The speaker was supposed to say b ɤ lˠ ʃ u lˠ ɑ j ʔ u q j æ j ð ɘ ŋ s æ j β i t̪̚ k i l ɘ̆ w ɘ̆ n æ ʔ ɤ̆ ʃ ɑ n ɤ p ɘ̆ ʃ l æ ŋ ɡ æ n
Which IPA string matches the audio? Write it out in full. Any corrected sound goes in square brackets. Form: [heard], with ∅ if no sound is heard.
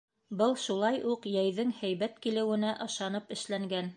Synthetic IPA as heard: b ɤ lˠ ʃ u lˠ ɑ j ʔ u q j æ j ð ɘ ŋ [h] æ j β [æ] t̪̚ k i l ɘ̆ w ɘ̆ n æ ʔ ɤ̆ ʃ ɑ n ɤ p ɘ̆ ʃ l æ ŋ ɡ æ n

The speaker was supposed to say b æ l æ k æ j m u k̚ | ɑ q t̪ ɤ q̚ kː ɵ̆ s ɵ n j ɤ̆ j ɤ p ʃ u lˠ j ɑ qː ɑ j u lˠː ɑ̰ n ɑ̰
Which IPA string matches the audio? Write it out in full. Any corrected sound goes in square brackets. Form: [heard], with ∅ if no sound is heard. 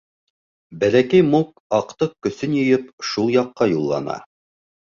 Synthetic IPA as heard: b æ l æ k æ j m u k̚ | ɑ q t̪ ɤ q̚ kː ɵ̆ s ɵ n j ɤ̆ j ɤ p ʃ u lˠ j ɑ qː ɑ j u lˠː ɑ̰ n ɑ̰

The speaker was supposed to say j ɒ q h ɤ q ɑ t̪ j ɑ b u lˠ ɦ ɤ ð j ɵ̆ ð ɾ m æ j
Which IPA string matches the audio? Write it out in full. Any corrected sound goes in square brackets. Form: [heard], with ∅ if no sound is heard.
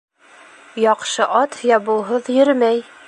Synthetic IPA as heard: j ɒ q [ʃ] ɤ [ʔ] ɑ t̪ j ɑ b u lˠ ɦ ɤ ð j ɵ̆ [∅] ɾ m æ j

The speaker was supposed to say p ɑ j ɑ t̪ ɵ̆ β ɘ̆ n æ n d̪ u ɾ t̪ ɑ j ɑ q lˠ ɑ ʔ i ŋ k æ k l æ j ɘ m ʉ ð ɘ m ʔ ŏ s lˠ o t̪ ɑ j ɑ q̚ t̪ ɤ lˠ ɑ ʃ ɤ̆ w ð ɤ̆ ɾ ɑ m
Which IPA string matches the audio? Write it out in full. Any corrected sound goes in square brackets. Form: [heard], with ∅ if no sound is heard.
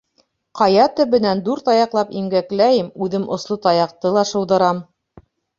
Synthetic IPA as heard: [q] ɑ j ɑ t̪ ɵ̆ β ɘ̆ n æ n d̪ u ɾ t̪ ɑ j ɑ q lˠ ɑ [p] i ŋ [ɡ] æ k l æ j ɘ m ʉ ð ɘ m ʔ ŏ s lˠ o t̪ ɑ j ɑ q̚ t̪ ɤ lˠ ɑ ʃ ɤ̆ w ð ɤ̆ ɾ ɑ m

